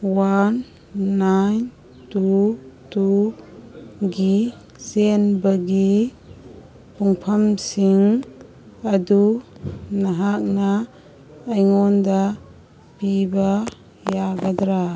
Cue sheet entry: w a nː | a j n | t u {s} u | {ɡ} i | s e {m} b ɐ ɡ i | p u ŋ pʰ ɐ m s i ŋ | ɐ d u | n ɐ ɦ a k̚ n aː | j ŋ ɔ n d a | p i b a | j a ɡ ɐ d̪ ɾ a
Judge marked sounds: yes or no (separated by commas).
no, yes, no